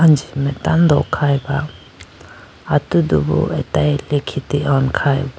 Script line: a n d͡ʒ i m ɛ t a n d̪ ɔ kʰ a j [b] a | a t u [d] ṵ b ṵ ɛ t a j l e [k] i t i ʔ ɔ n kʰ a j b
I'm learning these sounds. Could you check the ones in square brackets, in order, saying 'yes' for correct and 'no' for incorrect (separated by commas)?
yes, yes, no